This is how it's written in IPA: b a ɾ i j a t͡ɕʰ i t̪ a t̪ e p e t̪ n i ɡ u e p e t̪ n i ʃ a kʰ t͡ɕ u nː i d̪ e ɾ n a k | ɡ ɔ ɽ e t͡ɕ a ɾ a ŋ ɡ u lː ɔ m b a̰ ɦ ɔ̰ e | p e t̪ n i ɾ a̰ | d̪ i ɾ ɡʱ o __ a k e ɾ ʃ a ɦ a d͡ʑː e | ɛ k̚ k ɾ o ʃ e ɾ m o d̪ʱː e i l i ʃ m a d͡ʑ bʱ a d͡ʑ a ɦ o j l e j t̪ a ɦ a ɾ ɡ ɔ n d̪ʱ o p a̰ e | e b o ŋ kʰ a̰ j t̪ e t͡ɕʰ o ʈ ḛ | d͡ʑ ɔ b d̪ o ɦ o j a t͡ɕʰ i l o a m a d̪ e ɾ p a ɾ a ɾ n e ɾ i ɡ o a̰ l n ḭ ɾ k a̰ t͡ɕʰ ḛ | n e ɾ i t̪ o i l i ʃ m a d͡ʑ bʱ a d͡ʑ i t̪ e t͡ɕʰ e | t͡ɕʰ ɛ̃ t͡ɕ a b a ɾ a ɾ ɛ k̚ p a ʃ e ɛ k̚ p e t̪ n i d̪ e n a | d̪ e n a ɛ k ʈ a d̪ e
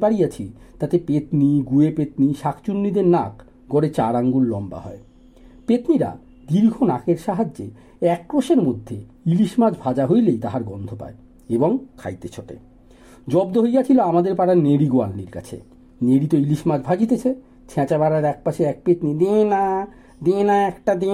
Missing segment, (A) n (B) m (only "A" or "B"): A